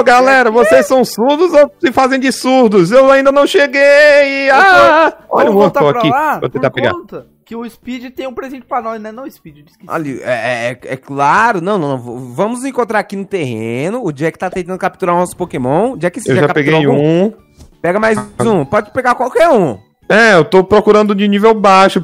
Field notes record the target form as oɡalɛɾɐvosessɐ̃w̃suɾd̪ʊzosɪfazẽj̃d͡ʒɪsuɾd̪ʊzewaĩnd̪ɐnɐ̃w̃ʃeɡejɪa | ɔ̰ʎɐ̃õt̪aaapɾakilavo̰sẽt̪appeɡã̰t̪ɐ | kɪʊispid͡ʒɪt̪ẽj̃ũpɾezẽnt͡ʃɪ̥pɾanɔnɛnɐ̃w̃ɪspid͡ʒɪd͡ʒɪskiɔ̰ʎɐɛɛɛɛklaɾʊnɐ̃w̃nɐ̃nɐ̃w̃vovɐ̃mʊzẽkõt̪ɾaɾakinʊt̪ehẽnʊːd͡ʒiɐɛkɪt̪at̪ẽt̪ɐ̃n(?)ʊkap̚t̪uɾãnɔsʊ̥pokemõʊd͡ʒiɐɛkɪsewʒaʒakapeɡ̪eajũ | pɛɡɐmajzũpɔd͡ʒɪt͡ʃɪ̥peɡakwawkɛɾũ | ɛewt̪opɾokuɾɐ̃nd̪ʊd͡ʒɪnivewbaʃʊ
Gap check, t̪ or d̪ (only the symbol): d̪